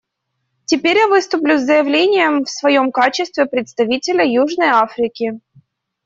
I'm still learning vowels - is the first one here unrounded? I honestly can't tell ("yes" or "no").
yes